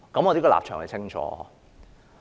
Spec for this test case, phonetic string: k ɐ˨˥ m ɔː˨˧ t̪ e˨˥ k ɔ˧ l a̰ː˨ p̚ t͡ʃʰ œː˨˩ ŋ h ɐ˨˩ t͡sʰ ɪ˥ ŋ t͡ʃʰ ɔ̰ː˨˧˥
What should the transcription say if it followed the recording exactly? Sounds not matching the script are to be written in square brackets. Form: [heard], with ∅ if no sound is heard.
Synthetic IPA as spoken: k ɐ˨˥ m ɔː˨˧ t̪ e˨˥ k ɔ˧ l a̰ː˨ p̚ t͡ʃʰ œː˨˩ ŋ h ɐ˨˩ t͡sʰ ɪ˥ ŋ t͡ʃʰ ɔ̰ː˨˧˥